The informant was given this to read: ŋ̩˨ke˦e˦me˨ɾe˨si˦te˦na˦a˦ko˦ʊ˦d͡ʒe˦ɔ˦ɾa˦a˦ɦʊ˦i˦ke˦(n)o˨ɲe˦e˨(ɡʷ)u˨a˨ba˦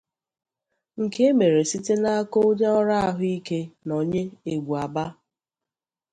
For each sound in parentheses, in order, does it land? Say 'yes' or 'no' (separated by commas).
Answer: yes, yes